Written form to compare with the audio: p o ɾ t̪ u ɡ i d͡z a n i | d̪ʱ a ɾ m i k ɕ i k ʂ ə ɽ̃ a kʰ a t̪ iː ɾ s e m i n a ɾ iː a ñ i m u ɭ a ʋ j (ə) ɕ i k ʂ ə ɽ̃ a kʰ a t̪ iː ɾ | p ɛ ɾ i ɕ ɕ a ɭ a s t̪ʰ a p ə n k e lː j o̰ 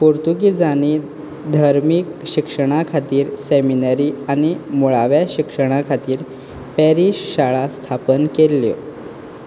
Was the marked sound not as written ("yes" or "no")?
yes